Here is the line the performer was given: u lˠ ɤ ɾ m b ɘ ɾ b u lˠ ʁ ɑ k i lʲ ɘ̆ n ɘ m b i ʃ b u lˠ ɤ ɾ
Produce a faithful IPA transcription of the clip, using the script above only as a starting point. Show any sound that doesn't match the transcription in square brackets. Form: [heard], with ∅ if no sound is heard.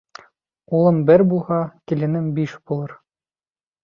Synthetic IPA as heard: u lˠ ɤ [∅] m b ɘ ɾ b u lˠ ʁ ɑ k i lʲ ɘ̆ n ɘ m b i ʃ b u lˠ ɤ ɾ